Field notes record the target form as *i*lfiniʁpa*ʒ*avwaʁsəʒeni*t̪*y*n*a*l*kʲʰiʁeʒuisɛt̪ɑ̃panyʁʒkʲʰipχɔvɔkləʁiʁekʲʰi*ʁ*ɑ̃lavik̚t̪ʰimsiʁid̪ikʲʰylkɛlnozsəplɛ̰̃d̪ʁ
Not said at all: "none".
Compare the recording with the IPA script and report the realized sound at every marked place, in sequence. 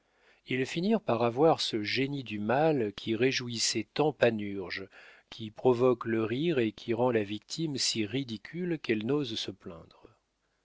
i, ʁ, d̪, m, l, ʁ

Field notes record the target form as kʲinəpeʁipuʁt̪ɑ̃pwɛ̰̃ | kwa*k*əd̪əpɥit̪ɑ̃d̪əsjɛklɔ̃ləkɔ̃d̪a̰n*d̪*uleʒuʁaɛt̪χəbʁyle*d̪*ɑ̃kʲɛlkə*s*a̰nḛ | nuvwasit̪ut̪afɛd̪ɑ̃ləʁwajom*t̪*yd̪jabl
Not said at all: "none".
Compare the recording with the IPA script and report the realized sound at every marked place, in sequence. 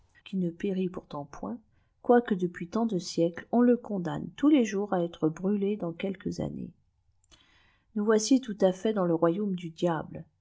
k, t̪, d̪, z, d̪

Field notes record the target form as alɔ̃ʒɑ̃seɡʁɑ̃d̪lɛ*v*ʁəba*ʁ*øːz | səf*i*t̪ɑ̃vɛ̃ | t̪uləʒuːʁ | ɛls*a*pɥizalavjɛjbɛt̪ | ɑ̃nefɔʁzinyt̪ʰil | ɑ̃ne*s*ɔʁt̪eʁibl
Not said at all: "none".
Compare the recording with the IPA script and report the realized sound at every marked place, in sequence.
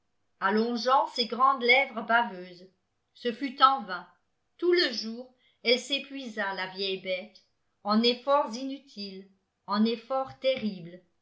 v, v, y, e, f

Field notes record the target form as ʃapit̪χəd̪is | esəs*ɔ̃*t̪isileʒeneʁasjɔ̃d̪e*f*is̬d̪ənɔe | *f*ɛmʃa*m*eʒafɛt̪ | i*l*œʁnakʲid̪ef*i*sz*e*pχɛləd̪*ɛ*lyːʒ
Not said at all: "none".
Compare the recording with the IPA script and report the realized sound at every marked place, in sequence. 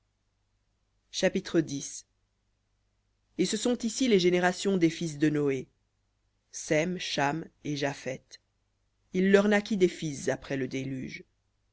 ɔ̃, f, s, m, lː, i, a, e

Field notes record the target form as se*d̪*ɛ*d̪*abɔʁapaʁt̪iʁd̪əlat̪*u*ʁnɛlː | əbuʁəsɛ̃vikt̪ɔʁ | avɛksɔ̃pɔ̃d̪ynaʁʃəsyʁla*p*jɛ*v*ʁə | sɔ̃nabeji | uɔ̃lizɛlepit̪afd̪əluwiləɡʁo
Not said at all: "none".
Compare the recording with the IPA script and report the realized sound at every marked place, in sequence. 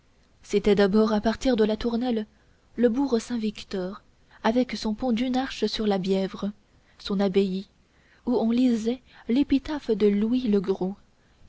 t̪, d̪, u, b, v

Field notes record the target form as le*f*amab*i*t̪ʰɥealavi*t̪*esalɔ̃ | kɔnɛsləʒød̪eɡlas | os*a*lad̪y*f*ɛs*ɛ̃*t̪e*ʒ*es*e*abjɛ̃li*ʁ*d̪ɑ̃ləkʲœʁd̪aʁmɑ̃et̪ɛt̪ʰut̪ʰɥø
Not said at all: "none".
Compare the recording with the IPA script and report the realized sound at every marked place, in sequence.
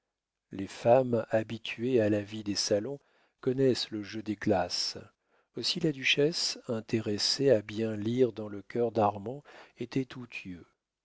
f, i, d̪, i, ʃ, ɛ̃, ʁ, e, ʁ

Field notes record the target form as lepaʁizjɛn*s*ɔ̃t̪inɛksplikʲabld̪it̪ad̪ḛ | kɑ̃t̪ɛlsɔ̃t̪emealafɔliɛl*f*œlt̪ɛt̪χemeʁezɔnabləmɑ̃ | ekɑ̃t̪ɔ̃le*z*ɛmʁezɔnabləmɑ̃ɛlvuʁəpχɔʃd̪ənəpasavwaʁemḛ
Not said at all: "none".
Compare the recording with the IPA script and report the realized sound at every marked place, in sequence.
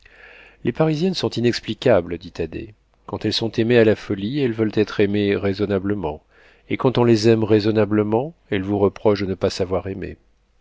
s, v, z

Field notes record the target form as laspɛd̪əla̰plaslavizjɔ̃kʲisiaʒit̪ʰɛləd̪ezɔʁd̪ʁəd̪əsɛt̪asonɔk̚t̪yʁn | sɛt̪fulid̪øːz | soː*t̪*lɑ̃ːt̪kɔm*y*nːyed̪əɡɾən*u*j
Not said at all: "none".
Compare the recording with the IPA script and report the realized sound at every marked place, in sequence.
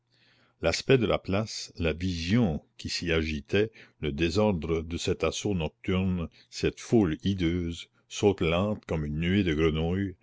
t̪, y, u

